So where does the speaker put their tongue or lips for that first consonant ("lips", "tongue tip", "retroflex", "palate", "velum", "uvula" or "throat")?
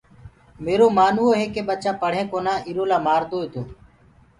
lips